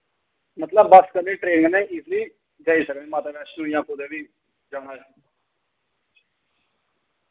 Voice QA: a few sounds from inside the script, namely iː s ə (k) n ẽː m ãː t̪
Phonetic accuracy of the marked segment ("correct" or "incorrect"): correct